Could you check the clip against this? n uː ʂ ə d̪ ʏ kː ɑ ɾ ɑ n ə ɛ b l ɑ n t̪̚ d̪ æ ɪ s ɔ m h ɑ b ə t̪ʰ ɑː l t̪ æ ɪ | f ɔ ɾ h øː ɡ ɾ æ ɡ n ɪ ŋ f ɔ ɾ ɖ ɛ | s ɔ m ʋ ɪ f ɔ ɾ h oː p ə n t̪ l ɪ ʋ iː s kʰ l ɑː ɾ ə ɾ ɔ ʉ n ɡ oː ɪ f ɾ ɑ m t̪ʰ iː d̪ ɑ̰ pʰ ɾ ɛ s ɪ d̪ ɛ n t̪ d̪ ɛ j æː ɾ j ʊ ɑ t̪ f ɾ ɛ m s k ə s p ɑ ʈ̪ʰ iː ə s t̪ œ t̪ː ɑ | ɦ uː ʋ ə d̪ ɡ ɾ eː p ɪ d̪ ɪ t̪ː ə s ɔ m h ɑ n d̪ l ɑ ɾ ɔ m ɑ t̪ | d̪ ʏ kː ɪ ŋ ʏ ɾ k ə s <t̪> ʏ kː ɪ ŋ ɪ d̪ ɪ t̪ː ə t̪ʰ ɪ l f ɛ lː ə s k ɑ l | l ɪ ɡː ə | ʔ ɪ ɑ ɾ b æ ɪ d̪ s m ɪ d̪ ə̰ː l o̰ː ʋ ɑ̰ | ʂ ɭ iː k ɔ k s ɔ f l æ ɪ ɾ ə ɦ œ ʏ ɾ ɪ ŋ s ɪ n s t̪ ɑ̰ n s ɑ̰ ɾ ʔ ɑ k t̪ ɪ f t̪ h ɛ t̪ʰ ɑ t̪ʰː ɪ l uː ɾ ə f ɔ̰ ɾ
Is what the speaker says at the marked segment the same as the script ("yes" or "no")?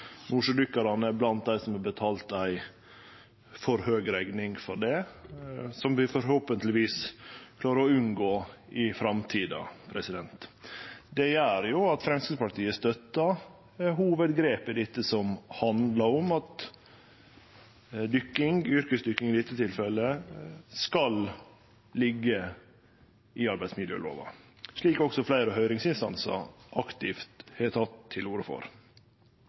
no